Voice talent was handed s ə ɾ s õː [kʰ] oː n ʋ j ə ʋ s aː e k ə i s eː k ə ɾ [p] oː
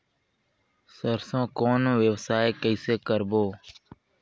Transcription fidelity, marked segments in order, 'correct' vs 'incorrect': incorrect, incorrect

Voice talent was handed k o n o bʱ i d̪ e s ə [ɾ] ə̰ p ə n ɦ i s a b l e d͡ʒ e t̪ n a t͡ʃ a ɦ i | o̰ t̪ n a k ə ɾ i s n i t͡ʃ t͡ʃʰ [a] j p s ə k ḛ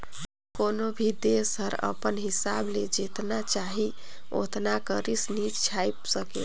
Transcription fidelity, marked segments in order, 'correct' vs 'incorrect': correct, correct

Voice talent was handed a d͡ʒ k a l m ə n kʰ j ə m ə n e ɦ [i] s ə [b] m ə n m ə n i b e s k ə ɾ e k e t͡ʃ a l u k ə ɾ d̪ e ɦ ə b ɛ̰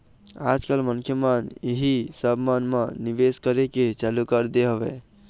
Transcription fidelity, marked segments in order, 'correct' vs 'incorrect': correct, correct

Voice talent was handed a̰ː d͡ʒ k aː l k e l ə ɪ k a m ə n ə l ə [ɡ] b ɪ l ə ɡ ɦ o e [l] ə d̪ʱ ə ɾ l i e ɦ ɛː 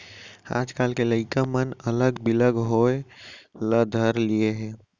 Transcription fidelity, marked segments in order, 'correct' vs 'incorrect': correct, correct

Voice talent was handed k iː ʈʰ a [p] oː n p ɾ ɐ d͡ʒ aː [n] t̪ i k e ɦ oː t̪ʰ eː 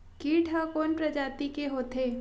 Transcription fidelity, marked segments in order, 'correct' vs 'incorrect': incorrect, incorrect

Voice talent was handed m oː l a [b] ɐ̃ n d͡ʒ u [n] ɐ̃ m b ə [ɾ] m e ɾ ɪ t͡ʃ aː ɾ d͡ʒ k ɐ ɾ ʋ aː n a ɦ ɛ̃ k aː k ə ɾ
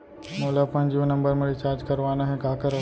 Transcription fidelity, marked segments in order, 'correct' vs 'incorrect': incorrect, correct, correct

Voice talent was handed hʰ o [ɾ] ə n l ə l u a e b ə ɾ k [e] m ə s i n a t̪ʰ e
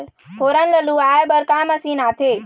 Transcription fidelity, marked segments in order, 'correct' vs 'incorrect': correct, incorrect

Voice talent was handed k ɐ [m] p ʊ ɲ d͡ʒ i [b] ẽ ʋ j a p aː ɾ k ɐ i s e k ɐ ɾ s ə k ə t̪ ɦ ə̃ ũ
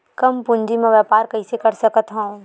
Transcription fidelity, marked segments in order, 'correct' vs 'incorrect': correct, incorrect

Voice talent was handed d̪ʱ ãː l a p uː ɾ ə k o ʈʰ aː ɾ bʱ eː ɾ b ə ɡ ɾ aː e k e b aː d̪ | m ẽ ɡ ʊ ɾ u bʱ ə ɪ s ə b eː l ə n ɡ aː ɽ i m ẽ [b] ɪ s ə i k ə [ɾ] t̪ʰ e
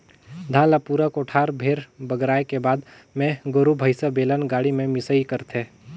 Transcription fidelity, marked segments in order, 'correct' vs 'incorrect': incorrect, correct

